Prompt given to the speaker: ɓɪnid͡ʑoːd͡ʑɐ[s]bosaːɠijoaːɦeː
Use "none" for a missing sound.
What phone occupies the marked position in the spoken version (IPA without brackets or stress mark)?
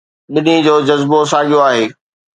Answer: z